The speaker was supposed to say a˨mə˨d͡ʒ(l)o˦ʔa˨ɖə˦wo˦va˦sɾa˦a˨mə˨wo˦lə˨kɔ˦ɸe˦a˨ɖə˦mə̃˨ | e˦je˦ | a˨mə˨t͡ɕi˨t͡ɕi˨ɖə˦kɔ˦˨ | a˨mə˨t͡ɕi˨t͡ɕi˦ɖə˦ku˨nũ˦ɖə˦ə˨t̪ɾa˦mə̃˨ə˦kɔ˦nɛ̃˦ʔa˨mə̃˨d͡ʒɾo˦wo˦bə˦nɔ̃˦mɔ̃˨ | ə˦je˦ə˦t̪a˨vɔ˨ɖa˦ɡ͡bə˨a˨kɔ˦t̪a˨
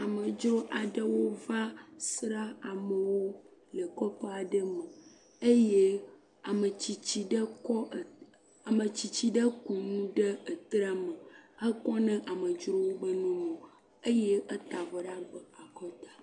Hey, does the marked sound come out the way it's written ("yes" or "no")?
no